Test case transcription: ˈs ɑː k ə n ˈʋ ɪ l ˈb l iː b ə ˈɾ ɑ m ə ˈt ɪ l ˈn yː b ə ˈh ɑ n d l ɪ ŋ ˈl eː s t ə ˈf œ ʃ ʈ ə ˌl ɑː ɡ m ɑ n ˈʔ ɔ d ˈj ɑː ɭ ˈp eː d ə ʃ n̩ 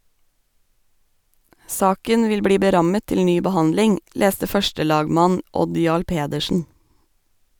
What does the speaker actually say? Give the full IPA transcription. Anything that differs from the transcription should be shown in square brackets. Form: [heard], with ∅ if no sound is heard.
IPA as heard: ˈs ɑː k ə n ˈʋ ɪ l ˈb [ɽ] iː b ə ˈɾ ɑ m ə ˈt ɪ l ˈn yː b ə ˈh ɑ n d l ɪ ŋ ˈl eː s t ə ˈf œ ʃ ʈ ə ˌl ɑː ɡ m ɑ n ˈʔ ɔ d ˈj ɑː ɭ ˈp eː d ə ʃ n̩

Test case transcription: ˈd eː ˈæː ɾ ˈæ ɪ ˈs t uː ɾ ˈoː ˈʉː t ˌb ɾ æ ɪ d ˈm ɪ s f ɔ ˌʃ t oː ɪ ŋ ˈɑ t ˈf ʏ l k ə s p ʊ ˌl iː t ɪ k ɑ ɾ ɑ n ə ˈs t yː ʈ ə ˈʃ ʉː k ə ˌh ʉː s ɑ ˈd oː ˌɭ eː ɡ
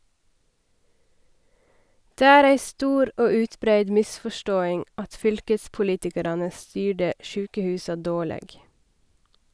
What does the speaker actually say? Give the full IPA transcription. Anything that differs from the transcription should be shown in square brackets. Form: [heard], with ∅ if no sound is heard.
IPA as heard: ˈd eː ˈæː ɾ ˈæ ɪ ˈs t uː ɾ ˈoː ˈʉː t ˌb ɾ æ ɪ d ˈm ɪ s f ɔ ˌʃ t oː ɪ ŋ ˈɑ t ˈf ʏ l k ə s p ʊ ˌl iː t ɪ k ɑ ɾ ɑ n ə ˈs t yː [ɖ] ə ˈʃ ʉː k ə ˌh ʉː s ɑ ˈd oː ˌɭ eː ɡ

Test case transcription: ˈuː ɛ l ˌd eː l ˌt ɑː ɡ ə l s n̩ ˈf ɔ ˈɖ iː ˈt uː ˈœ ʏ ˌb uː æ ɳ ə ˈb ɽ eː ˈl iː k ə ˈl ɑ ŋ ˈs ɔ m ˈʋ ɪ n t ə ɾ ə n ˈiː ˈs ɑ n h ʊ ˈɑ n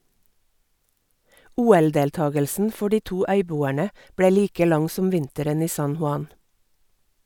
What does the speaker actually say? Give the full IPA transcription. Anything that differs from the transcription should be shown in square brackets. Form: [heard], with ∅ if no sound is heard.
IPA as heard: ˈuː ɛ l ˌd eː l ˌt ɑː ɡ ə l s n̩ ˈf ɔ ˈɖ iː ˈt uː ˈœ ʏ ˌb uː æ ɳ ə ˈb ɽ eː ˈl iː k ə ˈl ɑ ŋ ˈs ɔ m ˈʋ ɪ n t ə ɾ ə n ˈiː ˈs ɑ n h ʊ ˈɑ n

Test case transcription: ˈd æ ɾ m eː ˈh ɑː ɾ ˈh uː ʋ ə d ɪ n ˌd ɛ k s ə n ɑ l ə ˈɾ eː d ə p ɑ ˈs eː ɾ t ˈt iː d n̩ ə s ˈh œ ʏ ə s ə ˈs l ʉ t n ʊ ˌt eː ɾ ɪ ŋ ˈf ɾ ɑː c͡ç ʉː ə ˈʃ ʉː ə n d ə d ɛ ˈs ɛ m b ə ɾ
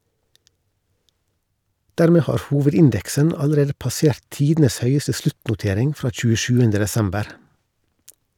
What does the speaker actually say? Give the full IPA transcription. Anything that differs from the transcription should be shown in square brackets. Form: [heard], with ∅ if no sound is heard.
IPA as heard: ˈd [æː] ɾ m eː ˈh ɑː ɾ ˈh uː ʋ ə d ɪ n ˌd ɛ k s ə n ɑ l ə ˈɾ eː d ə p ɑ ˈs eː ɾ t ˈt iː d n̩ ə s ˈh œ ʏ ə s ə ˈs l ʉ t n ʊ ˌt eː ɾ ɪ ŋ ˈf ɾ ɑː c͡ç ʉː ə ˈʃ ʉː ə n d ə d ɛ ˈs ɛ m b ə ɾ

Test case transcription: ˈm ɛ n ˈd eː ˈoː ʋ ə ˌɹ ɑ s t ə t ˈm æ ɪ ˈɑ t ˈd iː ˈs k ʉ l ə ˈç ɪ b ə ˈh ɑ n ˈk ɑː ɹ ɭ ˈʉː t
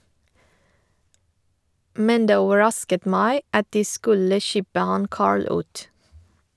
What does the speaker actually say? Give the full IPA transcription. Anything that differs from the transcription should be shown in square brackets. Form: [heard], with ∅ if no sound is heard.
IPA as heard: ˈm ɛ n ˈd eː ˈoː ʋ ə ˌɹ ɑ s [k] ə t ˈm æ ɪ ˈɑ t ˈd iː ˈs k ʉ l ə ˈç ɪ b ə ˈh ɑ n ˈk ɑː ɹ ɭ ˈʉː t

